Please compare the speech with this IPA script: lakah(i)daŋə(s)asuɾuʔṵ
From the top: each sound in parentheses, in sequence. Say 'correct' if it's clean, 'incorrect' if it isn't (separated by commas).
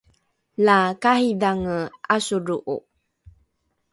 correct, incorrect